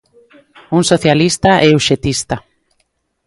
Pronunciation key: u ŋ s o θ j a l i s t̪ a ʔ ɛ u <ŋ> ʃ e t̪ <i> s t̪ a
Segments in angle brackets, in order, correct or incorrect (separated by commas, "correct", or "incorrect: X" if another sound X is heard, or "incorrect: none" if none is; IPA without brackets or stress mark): incorrect: none, correct